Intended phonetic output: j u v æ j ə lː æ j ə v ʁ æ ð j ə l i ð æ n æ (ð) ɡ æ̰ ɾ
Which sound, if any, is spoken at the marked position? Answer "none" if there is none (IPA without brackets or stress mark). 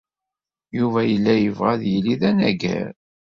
none